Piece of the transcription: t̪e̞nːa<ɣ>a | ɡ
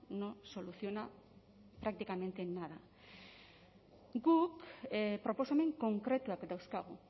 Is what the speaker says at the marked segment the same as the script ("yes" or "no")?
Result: no